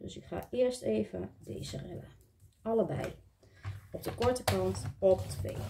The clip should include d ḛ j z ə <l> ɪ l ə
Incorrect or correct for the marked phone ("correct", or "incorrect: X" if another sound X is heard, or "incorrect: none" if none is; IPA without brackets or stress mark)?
incorrect: r